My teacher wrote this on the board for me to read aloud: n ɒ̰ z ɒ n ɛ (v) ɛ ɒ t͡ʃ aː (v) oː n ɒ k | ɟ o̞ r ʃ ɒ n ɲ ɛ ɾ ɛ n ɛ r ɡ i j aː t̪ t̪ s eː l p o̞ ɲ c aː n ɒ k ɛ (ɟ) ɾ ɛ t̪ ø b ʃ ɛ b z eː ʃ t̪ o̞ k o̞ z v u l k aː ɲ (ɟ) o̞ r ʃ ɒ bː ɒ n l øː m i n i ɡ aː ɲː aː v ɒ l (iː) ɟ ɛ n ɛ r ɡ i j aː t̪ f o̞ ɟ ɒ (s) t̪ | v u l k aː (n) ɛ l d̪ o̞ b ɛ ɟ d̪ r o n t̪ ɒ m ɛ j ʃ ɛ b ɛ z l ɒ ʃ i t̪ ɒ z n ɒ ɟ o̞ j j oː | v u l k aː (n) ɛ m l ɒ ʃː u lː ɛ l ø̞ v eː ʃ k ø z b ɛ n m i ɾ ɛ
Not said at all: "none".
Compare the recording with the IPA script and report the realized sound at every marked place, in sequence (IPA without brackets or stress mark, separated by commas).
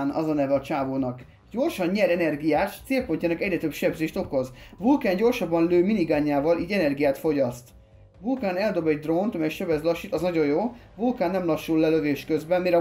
v, v, ɟ, ɟ, iː, s, n, nː